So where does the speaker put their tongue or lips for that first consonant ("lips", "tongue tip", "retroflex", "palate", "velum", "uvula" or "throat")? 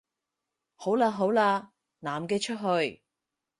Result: throat